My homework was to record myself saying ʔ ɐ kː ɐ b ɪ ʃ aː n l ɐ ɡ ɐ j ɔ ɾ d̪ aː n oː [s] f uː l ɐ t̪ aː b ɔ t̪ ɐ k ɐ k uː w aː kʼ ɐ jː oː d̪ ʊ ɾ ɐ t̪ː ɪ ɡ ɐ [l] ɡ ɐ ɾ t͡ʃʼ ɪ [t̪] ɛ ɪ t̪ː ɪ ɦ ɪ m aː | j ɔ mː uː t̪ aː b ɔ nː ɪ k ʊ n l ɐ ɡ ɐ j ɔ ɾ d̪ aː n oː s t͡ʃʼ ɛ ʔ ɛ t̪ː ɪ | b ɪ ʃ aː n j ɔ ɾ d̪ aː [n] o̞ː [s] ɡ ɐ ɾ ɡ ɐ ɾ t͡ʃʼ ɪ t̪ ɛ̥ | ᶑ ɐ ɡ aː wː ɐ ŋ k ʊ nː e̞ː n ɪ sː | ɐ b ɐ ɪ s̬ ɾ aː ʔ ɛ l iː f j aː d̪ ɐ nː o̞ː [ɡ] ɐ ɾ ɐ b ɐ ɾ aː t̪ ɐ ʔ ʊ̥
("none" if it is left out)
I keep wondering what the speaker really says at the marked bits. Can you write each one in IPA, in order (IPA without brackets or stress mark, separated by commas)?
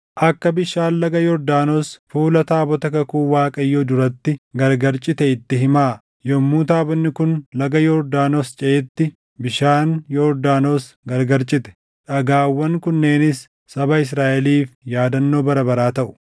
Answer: s, ɾ, t̪, n, s, b